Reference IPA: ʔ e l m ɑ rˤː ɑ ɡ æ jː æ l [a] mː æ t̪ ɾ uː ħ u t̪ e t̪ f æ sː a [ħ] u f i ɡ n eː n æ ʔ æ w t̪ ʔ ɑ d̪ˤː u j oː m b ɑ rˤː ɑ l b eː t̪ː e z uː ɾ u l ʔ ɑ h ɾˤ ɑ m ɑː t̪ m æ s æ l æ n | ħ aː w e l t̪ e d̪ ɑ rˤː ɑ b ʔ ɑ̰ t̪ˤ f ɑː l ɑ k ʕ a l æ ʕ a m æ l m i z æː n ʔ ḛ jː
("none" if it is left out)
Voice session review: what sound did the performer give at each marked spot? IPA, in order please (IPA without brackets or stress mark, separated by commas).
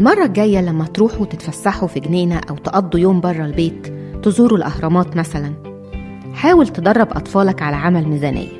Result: æ, ħ